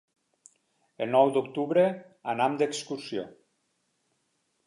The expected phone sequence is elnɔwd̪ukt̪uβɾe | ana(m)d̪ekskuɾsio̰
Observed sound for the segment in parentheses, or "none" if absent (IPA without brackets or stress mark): m